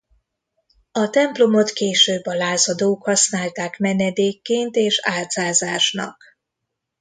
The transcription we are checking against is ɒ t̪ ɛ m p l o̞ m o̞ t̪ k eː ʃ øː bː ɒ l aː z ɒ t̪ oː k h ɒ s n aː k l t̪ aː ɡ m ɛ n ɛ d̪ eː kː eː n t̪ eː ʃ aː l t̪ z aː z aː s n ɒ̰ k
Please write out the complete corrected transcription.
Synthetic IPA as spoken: ɒ t̪ ɛ m p l o̞ m o̞ t̪ k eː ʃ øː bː ɒ l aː z ɒ d̪ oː k h ɒ s n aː l t̪ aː k m ɛ n ɛ d̪ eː kː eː n t̪ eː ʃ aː l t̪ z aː z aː ʃ n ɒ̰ k